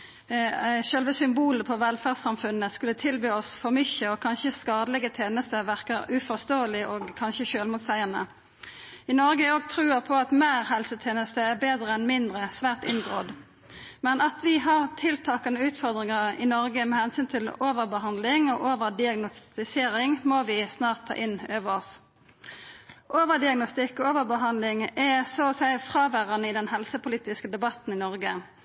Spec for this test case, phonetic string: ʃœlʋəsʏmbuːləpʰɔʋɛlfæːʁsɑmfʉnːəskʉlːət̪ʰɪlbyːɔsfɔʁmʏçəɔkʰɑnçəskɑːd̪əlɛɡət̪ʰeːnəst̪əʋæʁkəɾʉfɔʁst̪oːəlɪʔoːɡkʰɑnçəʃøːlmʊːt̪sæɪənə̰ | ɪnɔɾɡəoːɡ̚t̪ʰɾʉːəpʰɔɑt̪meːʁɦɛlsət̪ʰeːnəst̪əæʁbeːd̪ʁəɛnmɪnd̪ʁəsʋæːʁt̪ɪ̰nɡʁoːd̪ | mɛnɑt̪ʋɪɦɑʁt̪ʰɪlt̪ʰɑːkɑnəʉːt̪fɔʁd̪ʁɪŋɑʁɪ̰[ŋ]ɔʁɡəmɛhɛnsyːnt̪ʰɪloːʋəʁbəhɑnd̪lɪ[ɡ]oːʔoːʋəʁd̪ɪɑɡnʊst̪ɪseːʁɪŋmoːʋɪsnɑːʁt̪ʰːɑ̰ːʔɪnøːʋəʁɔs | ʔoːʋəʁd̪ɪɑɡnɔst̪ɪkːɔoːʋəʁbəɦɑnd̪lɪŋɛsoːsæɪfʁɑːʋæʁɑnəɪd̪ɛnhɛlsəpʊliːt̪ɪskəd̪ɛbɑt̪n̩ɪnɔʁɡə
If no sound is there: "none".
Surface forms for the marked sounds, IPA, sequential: n, ŋ

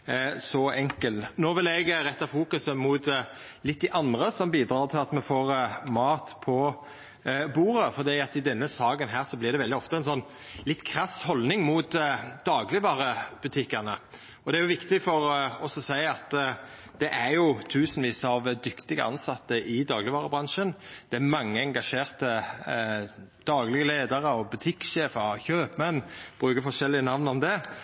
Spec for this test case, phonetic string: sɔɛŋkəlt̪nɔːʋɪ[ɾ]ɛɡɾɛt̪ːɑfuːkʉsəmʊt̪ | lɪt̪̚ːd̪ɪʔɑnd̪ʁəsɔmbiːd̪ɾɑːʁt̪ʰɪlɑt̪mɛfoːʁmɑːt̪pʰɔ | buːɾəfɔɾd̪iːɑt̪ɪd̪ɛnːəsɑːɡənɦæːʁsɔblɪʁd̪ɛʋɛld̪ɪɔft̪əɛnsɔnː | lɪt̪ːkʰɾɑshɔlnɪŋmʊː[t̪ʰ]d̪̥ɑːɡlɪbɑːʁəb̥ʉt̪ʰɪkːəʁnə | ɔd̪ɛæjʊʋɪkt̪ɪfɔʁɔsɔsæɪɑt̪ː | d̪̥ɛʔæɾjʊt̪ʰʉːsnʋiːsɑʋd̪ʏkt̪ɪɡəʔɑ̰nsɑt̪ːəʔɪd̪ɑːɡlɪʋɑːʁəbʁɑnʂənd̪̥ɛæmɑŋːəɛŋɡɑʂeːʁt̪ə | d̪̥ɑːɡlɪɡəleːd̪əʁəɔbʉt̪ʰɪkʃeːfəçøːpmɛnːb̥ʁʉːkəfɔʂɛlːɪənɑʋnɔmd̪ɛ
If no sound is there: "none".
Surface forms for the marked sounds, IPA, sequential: l, t̪

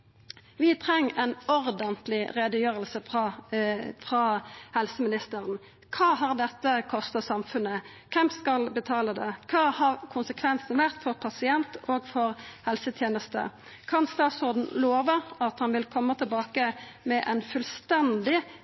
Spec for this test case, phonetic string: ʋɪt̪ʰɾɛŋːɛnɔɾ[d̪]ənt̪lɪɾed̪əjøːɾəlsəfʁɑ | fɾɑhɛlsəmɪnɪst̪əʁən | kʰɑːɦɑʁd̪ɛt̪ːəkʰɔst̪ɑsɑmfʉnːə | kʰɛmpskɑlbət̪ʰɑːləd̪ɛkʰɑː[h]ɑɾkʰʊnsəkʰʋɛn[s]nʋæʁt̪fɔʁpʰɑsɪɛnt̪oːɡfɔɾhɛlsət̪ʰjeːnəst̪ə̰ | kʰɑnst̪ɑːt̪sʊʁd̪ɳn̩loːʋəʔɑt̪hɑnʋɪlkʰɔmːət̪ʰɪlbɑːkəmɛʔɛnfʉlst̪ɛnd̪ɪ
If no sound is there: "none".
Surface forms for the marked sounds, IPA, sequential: d̪, h, s

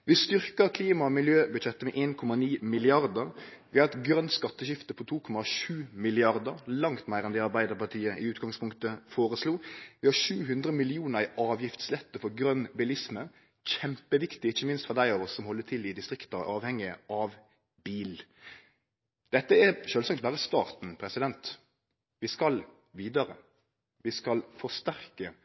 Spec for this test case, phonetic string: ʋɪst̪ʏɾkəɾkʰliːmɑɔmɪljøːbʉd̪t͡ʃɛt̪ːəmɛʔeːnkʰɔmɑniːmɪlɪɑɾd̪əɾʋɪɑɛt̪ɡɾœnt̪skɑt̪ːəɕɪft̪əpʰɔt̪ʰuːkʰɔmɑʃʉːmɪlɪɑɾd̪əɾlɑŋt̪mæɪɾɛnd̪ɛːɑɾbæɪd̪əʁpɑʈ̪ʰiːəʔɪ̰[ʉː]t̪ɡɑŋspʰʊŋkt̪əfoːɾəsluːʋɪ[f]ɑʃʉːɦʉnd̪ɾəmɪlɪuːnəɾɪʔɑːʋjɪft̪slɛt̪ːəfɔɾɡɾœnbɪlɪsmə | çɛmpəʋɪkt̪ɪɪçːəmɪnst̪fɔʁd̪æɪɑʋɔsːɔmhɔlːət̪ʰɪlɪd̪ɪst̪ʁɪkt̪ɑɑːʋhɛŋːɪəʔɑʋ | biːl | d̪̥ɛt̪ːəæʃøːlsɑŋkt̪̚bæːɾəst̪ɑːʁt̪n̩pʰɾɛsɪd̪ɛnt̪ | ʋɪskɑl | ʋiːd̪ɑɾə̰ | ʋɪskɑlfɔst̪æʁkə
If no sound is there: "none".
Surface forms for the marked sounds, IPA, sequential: ʉː, h

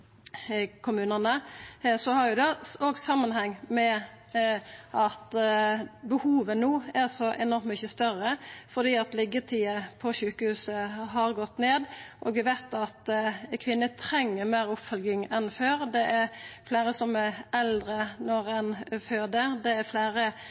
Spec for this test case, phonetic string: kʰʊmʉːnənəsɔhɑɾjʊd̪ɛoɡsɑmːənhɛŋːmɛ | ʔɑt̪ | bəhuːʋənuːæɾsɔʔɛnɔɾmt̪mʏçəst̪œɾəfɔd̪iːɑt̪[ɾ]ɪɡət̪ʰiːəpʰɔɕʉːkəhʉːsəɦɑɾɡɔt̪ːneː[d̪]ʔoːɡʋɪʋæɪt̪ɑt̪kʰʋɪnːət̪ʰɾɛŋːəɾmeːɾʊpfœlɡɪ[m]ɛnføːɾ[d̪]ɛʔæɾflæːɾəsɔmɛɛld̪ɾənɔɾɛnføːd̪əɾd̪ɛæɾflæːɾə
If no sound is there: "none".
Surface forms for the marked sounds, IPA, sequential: l, d̪, ŋ, d̪

